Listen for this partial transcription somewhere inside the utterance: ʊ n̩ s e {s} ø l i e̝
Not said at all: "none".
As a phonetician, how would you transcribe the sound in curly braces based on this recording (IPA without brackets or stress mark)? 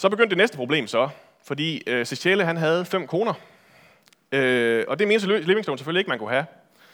f